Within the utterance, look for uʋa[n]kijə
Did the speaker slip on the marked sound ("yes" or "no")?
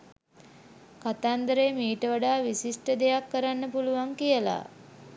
yes